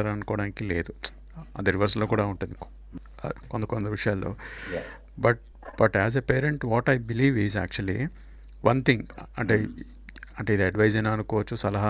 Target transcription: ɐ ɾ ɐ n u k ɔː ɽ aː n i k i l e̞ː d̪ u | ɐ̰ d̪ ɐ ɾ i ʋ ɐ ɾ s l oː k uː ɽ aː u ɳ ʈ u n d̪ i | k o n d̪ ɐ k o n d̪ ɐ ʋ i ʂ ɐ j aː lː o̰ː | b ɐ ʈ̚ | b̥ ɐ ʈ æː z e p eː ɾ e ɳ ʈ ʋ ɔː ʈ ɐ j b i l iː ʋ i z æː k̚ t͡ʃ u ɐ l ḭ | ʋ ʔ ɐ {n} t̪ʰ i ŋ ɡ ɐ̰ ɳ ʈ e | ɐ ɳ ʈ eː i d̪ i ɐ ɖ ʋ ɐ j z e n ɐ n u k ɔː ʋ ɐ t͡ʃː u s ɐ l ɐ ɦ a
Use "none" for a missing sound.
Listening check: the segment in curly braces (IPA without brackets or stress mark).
n